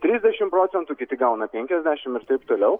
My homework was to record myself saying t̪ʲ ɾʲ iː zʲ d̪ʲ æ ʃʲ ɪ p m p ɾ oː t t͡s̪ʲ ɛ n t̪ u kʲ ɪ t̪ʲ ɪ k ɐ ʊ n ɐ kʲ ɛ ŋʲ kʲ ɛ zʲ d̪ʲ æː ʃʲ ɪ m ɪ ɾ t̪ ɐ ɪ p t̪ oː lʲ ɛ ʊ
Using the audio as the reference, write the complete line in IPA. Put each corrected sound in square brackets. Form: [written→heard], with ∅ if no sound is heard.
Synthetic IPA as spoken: t̪ʲ ɾʲ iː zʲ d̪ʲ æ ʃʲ ɪ [p→∅] m p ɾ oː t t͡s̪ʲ ɛ n t̪ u kʲ ɪ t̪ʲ ɪ [k→ɡ] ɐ ʊ n ɐ [kʲ→pʲ] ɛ ŋʲ kʲ ɛ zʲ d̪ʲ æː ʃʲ ɪ m ɪ ɾ t̪ ɐ ɪ p t̪ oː lʲ ɛ ʊ